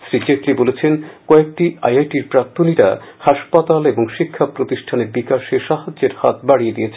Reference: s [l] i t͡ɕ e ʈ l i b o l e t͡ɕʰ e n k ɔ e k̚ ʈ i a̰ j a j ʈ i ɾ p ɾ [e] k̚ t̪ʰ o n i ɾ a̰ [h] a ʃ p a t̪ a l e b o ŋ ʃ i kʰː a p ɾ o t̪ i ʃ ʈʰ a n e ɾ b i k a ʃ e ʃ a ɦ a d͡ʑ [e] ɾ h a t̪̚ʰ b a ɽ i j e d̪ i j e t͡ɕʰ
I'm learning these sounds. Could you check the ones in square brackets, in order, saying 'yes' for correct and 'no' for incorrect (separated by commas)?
no, no, yes, yes